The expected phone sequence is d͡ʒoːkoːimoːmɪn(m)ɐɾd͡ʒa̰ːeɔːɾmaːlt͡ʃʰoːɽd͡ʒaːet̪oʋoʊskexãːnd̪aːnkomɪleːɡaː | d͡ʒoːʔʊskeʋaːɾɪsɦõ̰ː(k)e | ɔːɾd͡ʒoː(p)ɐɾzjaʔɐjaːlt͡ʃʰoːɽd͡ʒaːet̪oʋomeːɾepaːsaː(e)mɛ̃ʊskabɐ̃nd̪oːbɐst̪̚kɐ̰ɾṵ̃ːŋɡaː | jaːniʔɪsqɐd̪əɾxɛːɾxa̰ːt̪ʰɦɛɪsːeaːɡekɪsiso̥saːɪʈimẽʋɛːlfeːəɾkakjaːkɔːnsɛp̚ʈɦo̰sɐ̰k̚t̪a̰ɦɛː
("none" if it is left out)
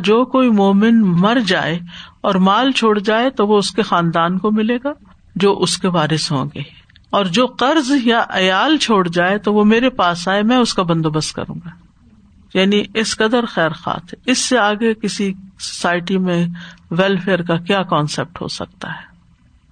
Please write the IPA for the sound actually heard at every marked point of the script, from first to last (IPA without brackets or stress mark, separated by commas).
m, ɡ, q, e